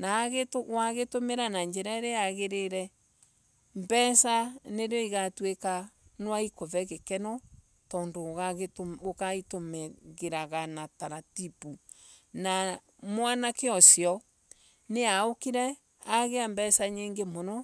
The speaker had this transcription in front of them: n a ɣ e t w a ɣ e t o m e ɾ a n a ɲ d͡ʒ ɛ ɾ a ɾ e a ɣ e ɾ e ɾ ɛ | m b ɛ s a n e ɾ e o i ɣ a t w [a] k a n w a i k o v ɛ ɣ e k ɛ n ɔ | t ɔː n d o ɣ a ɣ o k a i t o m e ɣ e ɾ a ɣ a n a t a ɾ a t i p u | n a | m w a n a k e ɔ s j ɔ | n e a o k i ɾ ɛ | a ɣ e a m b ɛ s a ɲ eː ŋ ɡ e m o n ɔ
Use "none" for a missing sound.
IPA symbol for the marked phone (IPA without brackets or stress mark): e